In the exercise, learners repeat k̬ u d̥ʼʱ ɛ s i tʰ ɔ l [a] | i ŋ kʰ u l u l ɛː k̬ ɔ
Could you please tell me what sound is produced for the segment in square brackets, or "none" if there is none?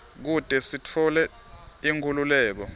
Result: ɛ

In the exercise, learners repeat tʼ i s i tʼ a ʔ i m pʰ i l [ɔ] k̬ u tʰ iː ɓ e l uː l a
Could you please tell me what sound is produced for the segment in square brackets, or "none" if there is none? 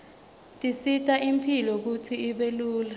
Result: ɔ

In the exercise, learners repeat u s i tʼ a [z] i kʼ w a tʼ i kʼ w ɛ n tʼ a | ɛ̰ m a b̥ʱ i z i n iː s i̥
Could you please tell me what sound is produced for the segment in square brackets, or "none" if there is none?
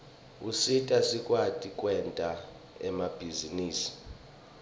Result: s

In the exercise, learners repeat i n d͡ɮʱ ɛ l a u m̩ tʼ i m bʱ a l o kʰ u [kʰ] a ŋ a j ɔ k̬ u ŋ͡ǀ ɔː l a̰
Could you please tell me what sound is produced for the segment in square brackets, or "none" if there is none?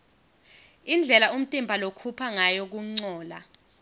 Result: pʰ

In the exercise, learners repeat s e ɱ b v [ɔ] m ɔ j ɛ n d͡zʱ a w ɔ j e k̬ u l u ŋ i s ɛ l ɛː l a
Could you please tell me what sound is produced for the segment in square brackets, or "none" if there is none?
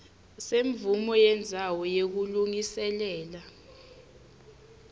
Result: u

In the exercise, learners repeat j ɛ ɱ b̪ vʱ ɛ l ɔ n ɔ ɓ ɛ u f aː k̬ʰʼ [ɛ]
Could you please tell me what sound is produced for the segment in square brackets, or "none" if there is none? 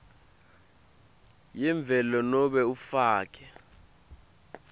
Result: ɛ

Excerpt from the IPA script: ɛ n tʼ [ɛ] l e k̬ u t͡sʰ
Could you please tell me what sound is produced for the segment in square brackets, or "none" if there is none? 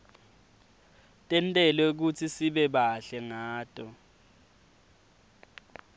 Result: ɛ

